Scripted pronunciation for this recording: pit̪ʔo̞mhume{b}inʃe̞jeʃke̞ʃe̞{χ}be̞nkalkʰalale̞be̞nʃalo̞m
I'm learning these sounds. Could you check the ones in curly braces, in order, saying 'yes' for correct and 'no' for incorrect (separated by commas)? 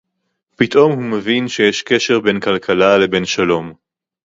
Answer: no, no